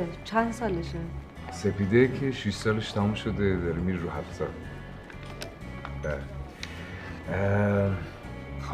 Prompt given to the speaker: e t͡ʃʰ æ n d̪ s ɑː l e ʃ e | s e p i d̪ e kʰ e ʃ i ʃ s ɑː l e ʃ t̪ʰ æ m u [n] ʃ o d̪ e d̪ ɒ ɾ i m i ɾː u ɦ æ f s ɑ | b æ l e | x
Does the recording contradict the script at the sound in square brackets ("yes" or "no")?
yes